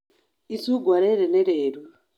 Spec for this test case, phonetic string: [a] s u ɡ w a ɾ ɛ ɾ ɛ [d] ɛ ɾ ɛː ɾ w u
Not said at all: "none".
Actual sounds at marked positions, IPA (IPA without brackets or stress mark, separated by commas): i, n